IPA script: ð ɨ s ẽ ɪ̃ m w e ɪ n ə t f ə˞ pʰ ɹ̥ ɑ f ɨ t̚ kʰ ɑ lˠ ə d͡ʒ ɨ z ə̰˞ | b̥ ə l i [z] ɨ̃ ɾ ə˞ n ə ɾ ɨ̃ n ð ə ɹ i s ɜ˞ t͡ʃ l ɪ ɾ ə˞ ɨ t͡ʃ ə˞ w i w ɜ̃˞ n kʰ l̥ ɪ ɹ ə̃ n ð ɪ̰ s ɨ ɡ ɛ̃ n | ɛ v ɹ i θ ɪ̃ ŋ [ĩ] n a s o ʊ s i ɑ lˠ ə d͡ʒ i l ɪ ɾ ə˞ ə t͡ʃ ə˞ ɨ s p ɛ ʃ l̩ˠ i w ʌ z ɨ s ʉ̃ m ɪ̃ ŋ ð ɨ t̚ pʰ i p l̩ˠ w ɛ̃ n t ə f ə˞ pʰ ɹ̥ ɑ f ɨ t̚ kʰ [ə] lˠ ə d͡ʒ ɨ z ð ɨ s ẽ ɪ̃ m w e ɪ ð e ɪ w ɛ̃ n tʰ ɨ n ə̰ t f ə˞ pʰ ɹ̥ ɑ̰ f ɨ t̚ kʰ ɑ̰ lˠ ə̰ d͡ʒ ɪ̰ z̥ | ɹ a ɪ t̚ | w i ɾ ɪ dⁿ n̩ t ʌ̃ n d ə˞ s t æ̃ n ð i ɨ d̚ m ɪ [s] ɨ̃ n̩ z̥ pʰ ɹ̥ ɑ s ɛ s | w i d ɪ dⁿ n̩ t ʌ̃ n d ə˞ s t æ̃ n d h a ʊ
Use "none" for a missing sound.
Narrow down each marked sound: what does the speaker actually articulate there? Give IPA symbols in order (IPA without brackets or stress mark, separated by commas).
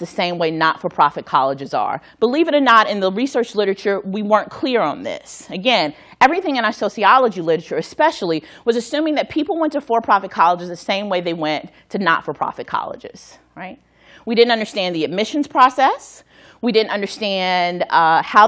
v, ɨ̃, ɑ, ʃ